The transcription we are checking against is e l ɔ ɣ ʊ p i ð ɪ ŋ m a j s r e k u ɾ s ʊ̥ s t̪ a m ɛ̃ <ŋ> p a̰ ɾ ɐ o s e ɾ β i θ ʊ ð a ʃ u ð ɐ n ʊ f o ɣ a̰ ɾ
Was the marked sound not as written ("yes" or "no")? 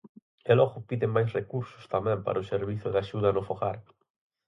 yes